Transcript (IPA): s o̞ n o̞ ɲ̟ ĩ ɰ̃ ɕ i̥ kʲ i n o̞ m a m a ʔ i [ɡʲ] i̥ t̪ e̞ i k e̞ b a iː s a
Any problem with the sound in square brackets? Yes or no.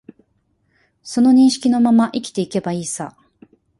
yes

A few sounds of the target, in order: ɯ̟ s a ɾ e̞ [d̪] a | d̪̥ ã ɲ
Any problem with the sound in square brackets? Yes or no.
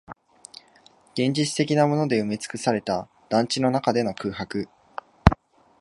yes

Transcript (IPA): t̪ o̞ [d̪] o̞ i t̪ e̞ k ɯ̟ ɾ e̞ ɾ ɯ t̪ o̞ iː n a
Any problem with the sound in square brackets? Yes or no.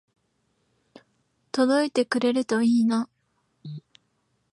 no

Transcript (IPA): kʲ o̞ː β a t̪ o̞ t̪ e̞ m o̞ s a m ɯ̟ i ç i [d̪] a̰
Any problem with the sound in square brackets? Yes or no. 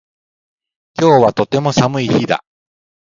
no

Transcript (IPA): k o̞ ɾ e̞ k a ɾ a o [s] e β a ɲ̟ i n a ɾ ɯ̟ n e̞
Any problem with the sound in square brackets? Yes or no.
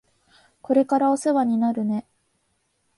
no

